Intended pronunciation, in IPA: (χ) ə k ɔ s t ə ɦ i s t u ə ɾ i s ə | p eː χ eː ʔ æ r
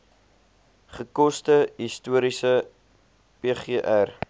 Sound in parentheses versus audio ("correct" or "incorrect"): correct